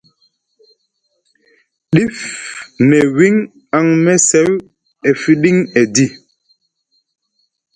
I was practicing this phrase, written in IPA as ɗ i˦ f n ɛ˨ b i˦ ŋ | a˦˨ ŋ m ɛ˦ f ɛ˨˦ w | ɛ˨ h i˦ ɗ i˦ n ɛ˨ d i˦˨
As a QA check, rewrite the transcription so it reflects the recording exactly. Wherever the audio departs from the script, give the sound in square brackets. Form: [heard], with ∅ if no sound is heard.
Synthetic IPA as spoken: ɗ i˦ f n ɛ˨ [w] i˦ ŋ | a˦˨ ŋ m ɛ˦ [s] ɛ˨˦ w | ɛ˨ [f] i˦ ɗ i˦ [ŋ] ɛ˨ d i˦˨